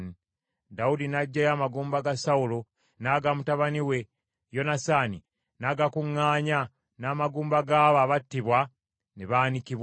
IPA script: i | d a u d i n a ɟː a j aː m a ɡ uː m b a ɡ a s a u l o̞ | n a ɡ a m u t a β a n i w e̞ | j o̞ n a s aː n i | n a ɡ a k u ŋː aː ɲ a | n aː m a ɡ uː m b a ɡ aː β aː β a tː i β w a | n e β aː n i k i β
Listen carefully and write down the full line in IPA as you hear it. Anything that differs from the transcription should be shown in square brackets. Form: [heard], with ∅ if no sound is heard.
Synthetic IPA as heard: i | d a u d i n a ɟː a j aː m a ɡ uː m b a ɡ a s a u l o̞ | n a ɡ a m u t a β a n i w e̞ | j o̞ n a s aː n i | n a ɡ a k u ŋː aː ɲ a | n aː m a ɡ uː m b a ɡ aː β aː β a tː i β w a | n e β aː n i k i β